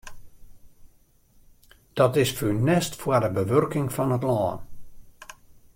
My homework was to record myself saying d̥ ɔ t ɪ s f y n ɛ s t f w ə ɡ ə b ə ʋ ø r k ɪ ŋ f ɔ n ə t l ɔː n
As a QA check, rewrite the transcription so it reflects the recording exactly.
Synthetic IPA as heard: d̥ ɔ t ɪ s f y n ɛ s t f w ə d ə b ə ʋ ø r k ɪ ŋ f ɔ n ə t l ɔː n